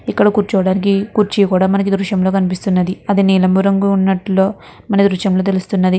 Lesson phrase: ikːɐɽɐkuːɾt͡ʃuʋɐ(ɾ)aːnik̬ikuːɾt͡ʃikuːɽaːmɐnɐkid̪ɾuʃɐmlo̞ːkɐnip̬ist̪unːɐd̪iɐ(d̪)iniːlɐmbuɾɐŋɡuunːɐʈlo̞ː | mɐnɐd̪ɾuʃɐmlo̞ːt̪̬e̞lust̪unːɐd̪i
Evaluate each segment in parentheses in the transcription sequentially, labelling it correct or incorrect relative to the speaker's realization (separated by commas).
incorrect, correct